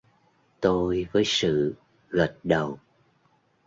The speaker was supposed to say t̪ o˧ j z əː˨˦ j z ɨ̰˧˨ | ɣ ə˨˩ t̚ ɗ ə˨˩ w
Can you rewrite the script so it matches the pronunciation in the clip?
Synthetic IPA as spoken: t̪ o˧ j v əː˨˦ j s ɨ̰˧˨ | ɣ ə˨˩ t̚ ɗ ə˨˩ w